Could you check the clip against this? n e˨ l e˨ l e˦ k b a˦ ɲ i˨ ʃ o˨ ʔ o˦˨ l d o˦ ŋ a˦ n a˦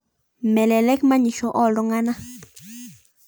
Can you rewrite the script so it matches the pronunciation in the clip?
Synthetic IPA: m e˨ l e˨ l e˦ k m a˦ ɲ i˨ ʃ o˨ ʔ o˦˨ l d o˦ ŋ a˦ n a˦

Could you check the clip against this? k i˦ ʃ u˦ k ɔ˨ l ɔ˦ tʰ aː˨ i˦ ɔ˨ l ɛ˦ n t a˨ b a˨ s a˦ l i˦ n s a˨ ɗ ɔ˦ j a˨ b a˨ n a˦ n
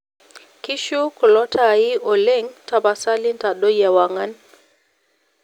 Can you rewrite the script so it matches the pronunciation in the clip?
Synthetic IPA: k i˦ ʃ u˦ k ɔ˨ l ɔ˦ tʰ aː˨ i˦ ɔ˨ l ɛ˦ ŋ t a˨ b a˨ s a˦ l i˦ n t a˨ ɗ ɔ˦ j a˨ w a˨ ŋ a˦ n

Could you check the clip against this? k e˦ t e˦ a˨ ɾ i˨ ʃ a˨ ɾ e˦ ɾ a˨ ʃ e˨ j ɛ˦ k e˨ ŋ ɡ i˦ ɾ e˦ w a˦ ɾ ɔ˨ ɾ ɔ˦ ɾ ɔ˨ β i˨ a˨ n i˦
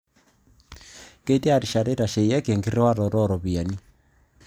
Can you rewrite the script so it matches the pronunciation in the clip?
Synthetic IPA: k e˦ t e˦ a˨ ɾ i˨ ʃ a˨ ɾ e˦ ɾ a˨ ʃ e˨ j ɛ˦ k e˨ ŋ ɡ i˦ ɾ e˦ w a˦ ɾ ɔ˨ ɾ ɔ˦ ɾ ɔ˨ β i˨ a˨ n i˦

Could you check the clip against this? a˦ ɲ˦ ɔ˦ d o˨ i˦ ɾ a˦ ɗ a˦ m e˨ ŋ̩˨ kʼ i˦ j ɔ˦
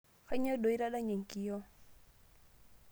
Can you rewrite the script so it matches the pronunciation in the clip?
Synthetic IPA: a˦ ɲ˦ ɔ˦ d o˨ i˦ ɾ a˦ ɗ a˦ ɲ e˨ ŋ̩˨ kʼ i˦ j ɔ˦

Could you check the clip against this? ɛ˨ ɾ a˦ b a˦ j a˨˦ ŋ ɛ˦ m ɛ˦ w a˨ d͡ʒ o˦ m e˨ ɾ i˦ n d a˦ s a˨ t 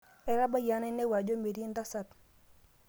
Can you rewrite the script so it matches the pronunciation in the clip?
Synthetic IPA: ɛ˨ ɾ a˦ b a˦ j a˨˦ n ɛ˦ n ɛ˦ w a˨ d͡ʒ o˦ m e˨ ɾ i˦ n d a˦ s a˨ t

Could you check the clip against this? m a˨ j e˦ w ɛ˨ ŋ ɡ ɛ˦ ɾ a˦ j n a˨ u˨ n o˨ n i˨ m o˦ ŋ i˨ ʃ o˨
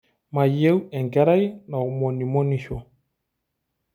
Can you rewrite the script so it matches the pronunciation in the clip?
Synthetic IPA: m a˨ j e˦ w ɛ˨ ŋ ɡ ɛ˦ ɾ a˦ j n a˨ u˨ m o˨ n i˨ m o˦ n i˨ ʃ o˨

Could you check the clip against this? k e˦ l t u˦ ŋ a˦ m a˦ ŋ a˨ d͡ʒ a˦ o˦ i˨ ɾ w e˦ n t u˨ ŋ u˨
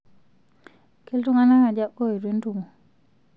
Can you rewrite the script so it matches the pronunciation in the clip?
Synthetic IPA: k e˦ l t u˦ ŋ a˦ n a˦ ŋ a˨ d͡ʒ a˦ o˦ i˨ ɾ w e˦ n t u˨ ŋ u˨

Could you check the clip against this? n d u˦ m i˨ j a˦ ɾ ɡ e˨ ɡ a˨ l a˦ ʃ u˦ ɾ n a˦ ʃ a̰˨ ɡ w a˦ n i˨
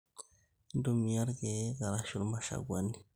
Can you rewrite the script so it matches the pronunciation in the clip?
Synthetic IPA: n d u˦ m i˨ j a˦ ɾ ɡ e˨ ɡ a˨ ɾ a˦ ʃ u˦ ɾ m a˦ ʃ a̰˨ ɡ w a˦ n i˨

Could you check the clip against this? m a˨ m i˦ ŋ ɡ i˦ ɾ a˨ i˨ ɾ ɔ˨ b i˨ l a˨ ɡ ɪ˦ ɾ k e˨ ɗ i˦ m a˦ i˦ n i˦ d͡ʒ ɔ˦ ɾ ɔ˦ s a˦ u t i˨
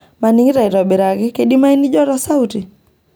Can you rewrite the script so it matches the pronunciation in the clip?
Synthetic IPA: m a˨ n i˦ ŋ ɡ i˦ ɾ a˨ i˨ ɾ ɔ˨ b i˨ ɾ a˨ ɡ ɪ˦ k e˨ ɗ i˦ m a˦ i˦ n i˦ d͡ʒ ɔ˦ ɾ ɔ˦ s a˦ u t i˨

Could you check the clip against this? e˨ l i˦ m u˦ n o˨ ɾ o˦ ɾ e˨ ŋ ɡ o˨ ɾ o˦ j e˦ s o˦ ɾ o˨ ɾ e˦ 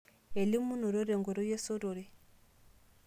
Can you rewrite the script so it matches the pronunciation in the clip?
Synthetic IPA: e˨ l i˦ m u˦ n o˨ ɾ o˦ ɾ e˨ ŋ ɡ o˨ ɾ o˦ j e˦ s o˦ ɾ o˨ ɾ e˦

